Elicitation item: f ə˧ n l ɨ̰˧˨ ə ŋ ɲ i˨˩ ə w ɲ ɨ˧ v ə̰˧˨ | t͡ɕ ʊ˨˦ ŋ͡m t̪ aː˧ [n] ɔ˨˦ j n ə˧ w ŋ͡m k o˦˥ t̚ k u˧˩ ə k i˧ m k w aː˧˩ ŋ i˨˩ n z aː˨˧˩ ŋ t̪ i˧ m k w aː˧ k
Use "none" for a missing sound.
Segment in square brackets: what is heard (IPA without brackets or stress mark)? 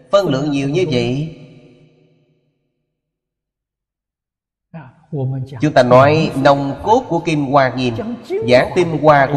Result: n